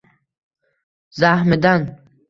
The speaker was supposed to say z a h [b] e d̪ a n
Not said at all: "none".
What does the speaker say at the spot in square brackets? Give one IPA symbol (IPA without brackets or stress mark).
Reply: m